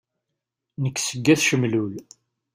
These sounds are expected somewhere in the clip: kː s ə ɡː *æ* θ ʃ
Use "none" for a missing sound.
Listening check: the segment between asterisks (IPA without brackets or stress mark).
æ